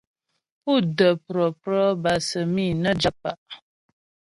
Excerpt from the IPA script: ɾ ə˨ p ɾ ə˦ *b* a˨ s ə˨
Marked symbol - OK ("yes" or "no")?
yes